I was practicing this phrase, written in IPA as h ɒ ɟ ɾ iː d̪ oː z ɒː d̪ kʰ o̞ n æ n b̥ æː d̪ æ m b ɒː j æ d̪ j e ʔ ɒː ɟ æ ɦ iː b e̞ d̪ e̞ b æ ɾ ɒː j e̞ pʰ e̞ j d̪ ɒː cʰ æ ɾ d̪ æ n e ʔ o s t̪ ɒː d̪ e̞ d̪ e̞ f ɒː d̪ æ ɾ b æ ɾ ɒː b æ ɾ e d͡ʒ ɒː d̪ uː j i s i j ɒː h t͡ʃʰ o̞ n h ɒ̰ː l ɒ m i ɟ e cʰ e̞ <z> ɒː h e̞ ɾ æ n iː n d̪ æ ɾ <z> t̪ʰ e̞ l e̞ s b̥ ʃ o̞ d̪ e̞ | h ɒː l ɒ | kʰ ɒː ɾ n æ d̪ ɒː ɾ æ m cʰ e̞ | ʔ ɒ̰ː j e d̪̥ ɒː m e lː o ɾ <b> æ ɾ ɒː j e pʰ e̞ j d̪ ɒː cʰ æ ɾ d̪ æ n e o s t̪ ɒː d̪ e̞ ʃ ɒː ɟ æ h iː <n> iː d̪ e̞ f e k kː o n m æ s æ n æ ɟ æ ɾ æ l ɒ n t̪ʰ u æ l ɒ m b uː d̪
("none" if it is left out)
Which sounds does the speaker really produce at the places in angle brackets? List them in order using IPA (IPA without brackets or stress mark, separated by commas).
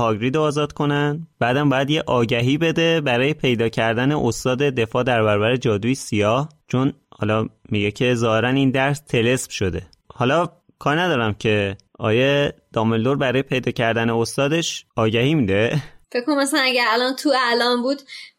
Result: z, s, b, m